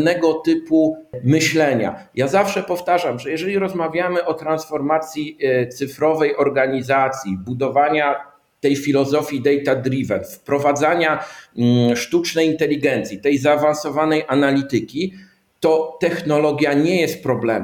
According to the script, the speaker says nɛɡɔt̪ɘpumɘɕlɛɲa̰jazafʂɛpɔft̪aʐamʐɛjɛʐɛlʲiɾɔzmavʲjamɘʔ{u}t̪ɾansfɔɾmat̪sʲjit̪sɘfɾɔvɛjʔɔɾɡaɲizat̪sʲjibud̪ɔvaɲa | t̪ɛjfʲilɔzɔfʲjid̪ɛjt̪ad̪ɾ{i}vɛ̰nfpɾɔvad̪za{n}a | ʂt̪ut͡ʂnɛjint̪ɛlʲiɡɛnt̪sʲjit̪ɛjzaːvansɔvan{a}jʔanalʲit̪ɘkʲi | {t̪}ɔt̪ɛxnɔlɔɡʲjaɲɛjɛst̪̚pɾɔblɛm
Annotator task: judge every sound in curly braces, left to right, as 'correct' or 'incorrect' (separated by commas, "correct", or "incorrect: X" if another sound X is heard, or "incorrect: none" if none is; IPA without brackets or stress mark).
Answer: incorrect: ɔ, correct, incorrect: ɲ, incorrect: ɛ, correct